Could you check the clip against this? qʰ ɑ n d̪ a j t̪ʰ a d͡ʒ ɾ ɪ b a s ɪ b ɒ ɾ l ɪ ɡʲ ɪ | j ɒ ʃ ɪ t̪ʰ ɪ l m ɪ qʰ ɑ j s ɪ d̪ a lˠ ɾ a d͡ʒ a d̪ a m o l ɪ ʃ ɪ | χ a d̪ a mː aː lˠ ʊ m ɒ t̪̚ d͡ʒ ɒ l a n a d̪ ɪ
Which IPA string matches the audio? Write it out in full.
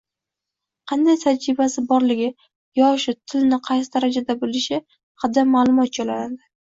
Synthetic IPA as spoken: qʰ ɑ n d̪ a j t̪ʰ a d͡ʒ ɾ ɪ b a s ɪ b ɒ ɾ l ɪ ɡʲ ɪ | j ɒ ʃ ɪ t̪ʰ ɪ l n ɪ qʰ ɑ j s ɪ d̪ a ɾ a d͡ʒ a d̪ a b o l ɪ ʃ ɪ | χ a d̪ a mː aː lˠ ʊ m ɒ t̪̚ d͡ʒ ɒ l a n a d̪ ɪ